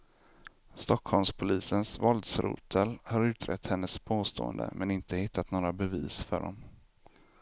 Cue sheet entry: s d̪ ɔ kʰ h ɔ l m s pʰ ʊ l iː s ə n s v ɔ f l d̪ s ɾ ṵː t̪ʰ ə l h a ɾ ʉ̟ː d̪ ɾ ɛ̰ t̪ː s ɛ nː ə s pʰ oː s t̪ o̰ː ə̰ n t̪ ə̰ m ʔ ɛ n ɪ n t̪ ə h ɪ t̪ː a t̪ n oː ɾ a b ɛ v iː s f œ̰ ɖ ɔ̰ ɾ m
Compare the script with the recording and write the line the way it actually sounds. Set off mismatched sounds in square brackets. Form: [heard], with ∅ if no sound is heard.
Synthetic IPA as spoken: s [t̪] ɔ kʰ h ɔ l m s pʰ ʊ l iː s ə n s v ɔ [∅] l d̪ s ɾ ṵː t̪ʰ ə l h a ɾ ʉ̟ː [t̪] ɾ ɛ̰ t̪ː [h] ɛ nː ə s pʰ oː s t̪ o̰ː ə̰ n [d̪] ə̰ m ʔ ɛ n ɪ n t̪ ə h ɪ t̪ː a t̪ n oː ɾ a b ɛ v iː s f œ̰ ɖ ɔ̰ [∅] m